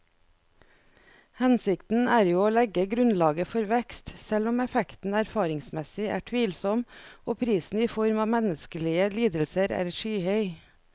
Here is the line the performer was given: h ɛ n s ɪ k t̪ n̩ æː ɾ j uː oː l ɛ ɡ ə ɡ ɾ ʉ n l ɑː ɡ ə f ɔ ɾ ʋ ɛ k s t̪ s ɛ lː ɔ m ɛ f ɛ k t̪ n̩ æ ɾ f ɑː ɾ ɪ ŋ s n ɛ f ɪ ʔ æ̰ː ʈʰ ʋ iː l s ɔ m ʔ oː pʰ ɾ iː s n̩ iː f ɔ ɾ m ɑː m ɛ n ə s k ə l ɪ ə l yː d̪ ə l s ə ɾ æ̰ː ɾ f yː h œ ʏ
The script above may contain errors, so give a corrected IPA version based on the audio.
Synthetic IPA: h ɛ n s ɪ k t̪ n̩ æː ɾ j uː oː l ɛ ɡ ə ɡ ɾ ʉ n l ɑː ɡ ə f ɔ ɾ ʋ ɛ k s t̪ s ɛ l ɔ m ɛ f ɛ k t̪ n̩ æ ɾ f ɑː ɾ ɪ ŋ s m ɛ s ɪ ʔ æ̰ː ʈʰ ʋ iː l s ɔ m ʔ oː pʰ ɾ iː s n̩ iː f ɔ ɾ m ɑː m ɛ n ə s k ə l ɪ ə l iː d̪ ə l s ə ɾ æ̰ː ɾ ʃ yː h œ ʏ